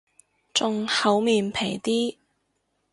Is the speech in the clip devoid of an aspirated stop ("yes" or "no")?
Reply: no